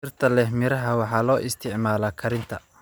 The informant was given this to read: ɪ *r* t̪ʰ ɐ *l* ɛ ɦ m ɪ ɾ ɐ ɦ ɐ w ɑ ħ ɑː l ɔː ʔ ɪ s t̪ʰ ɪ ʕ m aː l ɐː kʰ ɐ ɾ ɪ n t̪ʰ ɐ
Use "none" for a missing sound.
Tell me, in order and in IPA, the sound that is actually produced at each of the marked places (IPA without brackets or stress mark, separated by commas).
r, l